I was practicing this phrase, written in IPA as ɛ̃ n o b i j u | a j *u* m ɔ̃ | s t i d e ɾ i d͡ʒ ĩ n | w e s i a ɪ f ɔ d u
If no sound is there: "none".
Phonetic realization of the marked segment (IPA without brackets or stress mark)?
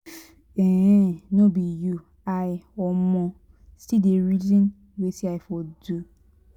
ɔ